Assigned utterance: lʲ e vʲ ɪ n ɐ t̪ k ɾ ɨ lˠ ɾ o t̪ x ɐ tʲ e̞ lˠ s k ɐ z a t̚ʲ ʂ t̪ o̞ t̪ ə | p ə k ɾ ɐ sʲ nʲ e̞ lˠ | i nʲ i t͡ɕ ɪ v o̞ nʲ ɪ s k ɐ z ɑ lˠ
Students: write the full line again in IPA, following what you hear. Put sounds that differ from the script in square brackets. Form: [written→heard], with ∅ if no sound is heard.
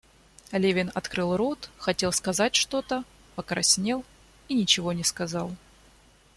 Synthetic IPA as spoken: lʲ e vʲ ɪ n ɐ t̪ k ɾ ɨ lˠ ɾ o t̪ x ɐ tʲ e̞ lˠ s k ɐ z a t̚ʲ ʂ t̪ o̞ t̪ ə | p ə k ɾ ɐ sʲ nʲ e̞ lˠ | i nʲ [i→ɪ] t͡ɕ ɪ v o̞ nʲ ɪ s k ɐ z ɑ lˠ